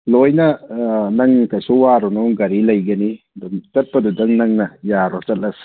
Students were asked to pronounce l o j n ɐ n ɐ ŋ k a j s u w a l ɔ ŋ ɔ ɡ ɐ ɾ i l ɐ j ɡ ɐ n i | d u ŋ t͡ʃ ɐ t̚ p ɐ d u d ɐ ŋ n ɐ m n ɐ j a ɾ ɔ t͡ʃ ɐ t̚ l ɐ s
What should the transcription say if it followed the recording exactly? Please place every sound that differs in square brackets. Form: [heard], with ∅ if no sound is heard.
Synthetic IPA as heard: l o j n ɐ n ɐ ŋ k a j s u w a [ɾ] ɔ [n] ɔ ɡ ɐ ɾ i l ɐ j ɡ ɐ n i | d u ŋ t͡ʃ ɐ t̚ p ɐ d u d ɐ ŋ n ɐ [ŋ] n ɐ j a ɾ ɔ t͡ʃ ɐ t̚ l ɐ s